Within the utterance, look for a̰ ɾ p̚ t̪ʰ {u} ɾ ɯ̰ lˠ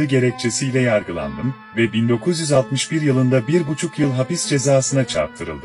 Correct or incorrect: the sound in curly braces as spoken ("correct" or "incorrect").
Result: incorrect